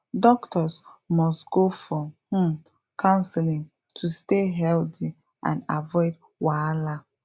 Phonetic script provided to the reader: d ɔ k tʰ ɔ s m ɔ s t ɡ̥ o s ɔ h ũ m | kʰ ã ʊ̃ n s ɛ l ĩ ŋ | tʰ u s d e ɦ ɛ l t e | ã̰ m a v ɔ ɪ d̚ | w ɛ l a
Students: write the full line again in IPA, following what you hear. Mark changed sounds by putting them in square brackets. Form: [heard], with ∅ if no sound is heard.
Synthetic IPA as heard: d ɔ k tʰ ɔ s m ɔ s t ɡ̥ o [f] ɔ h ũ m | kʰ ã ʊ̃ n s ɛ l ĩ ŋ | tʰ u s [t] e ɦ ɛ l t [i] | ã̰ [n] a v ɔ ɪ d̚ | w [a] l a